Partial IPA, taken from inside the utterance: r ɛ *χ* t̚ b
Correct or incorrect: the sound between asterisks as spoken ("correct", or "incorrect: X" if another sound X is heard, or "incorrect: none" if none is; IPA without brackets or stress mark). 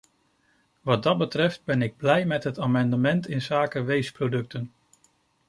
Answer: incorrect: f